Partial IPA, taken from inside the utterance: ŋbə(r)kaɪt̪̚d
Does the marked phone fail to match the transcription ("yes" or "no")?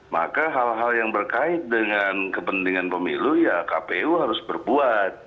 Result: no